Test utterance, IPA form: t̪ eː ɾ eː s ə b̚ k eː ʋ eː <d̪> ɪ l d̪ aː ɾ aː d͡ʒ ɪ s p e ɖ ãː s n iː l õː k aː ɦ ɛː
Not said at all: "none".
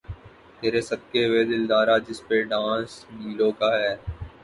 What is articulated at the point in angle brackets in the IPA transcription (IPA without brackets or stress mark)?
d̪